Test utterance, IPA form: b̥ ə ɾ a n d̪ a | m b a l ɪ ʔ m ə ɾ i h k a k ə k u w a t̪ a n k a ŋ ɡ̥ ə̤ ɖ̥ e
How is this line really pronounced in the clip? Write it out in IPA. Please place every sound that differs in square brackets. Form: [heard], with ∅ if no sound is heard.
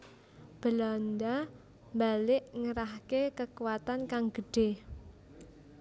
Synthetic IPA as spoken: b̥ ə [l] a n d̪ a | m b a l ɪ ʔ [ŋ] ə ɾ [a] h k [e] k ə k u w a t̪ a n k a ŋ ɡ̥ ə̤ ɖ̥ e